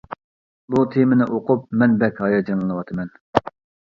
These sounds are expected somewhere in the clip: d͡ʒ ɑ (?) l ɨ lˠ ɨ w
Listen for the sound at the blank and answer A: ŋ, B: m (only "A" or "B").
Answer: A